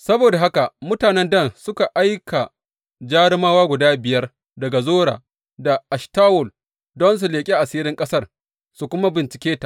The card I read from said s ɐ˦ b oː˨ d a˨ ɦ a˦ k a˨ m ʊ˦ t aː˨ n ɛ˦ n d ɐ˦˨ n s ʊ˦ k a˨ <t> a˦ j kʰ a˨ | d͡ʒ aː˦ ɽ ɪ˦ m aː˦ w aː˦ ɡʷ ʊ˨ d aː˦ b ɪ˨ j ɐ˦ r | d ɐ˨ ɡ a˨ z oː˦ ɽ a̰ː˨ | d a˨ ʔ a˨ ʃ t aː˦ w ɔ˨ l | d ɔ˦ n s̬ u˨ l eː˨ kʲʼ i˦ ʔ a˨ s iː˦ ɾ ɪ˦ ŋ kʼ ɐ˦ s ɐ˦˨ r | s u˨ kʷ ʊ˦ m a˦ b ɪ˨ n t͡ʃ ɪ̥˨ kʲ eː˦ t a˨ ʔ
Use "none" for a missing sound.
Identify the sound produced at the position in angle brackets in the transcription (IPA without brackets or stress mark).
ʔ